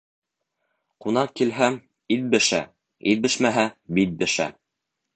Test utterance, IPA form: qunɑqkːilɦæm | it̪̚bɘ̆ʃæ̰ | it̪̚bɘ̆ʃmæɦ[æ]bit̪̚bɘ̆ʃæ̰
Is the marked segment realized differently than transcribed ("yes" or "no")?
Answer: no